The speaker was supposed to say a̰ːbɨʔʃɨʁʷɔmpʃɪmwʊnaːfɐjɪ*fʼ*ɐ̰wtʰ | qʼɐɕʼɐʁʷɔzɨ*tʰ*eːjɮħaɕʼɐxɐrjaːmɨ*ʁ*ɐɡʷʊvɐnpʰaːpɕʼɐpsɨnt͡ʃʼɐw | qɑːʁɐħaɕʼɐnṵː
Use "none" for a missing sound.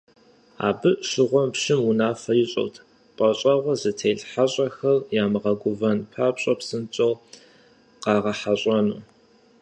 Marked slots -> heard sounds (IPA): ɕʼ, tʰ, ʁ

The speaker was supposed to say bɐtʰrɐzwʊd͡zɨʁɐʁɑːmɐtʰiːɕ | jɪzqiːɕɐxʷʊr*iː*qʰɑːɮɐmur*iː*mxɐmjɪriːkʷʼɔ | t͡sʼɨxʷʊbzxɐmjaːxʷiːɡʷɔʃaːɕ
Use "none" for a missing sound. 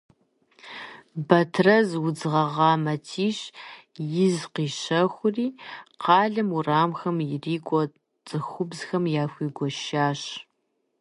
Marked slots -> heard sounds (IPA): iː, aː

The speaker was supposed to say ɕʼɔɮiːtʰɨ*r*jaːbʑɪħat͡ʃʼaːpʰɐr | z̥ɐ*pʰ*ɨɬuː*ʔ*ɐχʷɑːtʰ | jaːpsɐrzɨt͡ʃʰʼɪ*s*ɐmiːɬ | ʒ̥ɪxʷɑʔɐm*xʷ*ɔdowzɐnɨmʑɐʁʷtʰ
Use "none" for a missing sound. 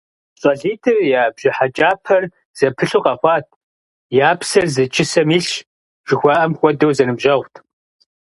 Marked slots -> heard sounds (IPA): r, pʰ, q, s, xʷ

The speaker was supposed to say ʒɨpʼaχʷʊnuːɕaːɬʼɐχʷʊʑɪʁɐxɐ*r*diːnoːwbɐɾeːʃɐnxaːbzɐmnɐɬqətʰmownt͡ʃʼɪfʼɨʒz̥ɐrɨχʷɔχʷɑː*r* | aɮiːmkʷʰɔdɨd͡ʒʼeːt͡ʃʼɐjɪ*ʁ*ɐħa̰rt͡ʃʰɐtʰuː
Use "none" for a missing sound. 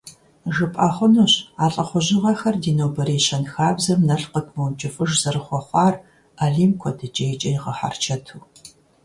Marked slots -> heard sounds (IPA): r, r, ʁ

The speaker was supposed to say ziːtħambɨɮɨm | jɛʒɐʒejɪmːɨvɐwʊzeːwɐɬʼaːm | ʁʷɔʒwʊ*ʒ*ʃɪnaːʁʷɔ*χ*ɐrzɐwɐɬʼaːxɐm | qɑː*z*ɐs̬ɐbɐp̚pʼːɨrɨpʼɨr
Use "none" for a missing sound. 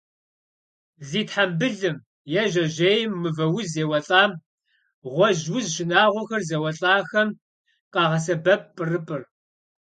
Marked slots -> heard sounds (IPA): z, x, ʁ

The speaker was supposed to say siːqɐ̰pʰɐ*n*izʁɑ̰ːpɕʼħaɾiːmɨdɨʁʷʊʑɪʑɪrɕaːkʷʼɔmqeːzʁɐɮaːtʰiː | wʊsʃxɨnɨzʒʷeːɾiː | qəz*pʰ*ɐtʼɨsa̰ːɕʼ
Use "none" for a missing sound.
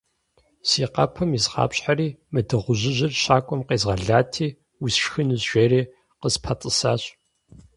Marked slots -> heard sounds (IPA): m, pʰ

